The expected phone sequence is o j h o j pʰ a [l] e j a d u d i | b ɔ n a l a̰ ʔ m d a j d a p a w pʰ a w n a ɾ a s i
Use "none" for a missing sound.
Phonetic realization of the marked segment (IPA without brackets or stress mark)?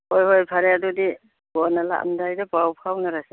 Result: ɾ